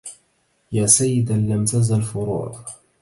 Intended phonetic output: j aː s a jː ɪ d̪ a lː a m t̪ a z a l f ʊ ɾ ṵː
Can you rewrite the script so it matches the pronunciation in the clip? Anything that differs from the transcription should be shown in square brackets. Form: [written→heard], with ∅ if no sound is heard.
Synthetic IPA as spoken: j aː s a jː ɪ d̪ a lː a m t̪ a z a l f ʊ ɾ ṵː